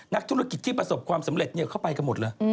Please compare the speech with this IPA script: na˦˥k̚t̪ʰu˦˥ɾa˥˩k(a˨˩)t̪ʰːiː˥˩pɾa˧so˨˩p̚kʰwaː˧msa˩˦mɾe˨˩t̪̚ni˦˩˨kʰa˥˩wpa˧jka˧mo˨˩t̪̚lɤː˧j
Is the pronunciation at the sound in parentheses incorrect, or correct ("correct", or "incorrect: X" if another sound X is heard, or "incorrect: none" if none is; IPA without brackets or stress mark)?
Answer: incorrect: i˨˩